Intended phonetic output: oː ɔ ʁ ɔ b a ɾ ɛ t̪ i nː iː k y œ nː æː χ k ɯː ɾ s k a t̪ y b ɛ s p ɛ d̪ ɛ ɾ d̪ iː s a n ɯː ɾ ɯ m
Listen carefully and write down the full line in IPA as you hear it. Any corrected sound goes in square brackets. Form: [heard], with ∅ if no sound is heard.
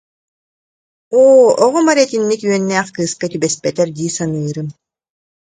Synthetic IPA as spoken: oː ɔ ʁ ɔ [m] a ɾ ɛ t̪ i nː [i] k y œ nː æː χ k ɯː [∅] s k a t̪ y b ɛ s p ɛ [t̪] ɛ ɾ d̪ iː s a n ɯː ɾ ɯ m